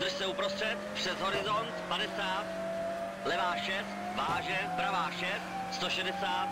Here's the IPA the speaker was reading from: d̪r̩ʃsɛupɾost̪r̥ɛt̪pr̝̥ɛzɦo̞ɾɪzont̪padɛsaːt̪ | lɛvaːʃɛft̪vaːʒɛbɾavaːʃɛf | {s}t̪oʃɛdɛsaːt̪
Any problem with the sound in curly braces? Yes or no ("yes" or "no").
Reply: no